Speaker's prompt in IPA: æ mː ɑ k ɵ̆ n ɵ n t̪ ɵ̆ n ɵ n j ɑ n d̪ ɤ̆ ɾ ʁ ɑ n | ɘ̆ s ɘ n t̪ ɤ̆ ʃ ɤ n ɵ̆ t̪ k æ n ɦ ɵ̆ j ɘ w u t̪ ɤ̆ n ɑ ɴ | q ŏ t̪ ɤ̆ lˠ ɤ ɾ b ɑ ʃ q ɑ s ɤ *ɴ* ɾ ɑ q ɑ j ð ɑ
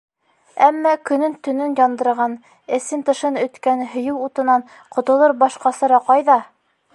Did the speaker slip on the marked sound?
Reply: yes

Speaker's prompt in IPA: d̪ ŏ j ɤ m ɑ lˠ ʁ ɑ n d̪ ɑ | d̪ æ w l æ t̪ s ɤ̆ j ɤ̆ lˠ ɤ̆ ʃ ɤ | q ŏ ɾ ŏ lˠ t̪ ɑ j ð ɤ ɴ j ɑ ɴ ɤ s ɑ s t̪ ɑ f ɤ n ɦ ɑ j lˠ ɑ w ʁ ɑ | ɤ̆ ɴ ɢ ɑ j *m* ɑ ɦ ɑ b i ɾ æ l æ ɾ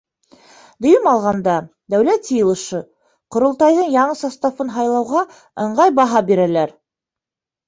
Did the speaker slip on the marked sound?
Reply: yes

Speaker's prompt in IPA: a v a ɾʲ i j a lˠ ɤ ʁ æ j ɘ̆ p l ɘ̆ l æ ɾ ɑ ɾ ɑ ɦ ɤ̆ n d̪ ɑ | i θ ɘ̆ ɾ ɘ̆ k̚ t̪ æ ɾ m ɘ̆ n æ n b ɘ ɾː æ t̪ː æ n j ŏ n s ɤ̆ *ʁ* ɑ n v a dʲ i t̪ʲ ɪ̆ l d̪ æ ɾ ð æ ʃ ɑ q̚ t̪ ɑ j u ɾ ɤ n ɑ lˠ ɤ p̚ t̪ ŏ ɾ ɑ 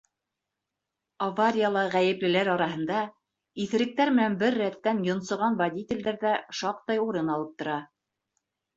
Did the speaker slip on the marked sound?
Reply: no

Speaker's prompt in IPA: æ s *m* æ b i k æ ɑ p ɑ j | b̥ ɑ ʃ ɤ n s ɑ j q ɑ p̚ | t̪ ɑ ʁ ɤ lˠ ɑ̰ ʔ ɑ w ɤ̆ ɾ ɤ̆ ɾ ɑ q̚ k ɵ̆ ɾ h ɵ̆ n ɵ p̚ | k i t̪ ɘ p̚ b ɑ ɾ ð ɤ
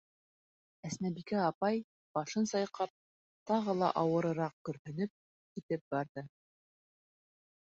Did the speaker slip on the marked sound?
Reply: yes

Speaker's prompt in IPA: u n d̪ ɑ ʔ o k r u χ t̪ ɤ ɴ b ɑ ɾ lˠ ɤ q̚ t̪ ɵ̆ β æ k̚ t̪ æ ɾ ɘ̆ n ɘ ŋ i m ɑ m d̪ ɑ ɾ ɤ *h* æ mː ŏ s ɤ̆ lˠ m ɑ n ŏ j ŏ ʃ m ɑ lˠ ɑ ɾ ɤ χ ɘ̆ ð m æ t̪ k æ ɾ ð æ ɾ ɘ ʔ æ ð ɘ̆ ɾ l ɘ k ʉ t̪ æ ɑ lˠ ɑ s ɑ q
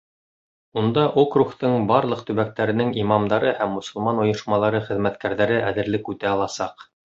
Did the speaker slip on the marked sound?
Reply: no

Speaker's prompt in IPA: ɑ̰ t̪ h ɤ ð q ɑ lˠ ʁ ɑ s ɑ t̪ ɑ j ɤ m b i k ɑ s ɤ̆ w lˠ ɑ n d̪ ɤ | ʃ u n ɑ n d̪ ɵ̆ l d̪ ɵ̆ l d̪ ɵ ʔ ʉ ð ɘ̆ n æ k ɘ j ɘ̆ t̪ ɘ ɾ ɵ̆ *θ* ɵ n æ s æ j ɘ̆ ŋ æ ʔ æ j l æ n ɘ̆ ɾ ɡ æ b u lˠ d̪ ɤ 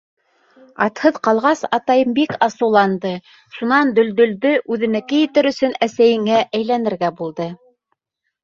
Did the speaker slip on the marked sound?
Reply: yes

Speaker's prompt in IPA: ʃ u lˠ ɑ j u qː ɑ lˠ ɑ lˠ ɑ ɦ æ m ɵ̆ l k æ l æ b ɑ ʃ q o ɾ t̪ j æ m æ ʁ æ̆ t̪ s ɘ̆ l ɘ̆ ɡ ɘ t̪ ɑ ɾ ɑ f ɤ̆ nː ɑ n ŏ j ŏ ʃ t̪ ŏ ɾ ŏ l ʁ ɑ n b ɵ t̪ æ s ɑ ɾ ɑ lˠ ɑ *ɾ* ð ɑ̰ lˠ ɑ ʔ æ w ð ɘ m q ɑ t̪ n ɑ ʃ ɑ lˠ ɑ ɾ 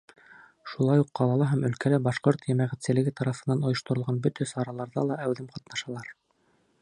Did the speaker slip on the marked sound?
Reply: no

